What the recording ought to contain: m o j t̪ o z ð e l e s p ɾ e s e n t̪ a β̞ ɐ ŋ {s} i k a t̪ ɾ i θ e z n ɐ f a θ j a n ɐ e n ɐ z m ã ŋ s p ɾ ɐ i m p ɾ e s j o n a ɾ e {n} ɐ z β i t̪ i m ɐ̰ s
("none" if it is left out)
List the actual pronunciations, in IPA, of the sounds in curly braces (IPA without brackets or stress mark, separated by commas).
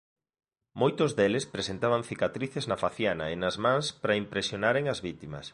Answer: θ, ŋ